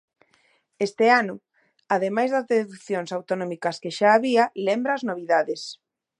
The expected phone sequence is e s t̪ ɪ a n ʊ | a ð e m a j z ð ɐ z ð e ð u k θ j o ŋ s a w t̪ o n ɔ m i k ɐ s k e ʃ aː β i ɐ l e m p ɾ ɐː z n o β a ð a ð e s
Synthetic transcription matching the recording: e s t̪ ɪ a n ʊ | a ð e m a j z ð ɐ z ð e ð u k θ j o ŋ s a w t̪ o n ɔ m i k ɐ s k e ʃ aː β i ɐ l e m b ɾ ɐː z n o β i ð a ð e s